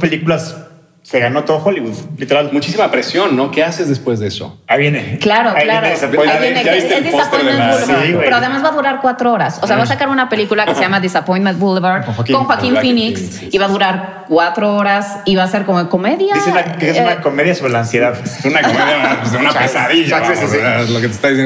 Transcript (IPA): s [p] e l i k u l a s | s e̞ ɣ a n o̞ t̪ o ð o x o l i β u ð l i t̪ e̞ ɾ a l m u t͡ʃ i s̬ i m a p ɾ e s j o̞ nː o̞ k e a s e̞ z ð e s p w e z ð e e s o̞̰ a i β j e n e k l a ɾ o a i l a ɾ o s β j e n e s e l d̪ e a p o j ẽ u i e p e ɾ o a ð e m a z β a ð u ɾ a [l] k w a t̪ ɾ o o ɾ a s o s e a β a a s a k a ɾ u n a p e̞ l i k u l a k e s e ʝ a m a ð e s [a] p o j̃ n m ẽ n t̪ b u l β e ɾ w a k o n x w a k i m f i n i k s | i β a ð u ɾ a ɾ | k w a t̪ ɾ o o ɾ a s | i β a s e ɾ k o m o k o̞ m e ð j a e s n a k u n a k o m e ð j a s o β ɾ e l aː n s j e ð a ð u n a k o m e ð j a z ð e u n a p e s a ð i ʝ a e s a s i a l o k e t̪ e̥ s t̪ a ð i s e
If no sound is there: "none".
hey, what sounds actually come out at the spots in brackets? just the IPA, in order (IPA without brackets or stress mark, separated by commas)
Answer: p, ɾ, a